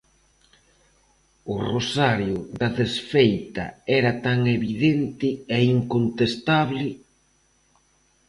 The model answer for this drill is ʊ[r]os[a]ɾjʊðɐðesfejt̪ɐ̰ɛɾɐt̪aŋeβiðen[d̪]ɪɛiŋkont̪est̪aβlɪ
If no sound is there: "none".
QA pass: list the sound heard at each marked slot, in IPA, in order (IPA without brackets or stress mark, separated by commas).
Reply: r, a, t̪